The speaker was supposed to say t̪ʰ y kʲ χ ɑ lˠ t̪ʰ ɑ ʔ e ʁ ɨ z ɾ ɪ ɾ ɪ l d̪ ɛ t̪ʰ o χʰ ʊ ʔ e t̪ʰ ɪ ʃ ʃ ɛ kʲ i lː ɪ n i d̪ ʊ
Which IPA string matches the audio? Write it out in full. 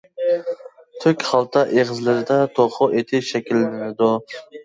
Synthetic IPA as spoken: t̪ʰ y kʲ χ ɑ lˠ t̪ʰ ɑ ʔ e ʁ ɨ z l ɪ ɾ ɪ d̪ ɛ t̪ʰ o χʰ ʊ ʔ e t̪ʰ ɪ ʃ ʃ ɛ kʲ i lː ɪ n ɪ d̪ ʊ